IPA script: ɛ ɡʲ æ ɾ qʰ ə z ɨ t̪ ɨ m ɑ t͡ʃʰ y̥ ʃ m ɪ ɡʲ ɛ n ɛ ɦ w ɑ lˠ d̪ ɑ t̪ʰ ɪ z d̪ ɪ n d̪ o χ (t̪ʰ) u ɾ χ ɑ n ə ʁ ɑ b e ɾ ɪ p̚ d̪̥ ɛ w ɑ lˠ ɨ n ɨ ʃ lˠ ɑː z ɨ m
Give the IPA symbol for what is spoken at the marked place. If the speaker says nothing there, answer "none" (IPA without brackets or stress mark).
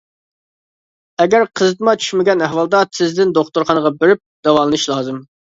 t̪